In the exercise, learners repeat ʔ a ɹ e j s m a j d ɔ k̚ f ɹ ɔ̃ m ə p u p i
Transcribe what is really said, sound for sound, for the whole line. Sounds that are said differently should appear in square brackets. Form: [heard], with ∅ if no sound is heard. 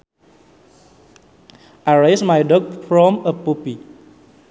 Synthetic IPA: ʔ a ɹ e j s m a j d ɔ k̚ f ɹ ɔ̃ m ə p u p i